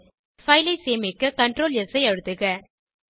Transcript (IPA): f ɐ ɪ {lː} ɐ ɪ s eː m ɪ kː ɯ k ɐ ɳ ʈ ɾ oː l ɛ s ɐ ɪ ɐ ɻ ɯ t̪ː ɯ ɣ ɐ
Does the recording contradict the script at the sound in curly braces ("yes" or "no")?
yes